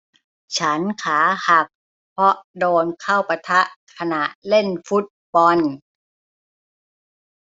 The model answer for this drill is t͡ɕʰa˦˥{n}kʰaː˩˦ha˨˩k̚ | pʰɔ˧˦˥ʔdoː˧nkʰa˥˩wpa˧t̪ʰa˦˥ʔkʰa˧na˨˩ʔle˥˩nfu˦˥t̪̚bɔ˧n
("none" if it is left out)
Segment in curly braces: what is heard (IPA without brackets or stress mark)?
n